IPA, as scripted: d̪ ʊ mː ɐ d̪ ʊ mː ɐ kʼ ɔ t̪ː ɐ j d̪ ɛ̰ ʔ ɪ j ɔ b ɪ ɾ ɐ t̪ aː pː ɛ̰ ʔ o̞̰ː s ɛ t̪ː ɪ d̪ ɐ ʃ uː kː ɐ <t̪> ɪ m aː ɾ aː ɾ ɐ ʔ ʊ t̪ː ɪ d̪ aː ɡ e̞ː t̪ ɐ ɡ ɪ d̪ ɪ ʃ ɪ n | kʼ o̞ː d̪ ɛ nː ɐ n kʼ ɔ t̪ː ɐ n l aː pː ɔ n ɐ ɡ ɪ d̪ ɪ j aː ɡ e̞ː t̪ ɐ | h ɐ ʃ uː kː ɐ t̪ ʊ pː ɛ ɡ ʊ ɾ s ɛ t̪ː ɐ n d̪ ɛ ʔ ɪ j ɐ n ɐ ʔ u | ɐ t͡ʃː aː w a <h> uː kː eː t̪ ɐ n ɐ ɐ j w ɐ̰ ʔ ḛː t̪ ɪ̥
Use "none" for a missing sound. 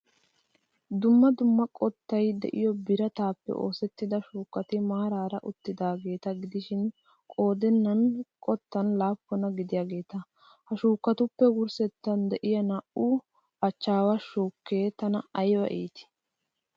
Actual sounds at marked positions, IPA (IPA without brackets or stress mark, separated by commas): t̪, ʃ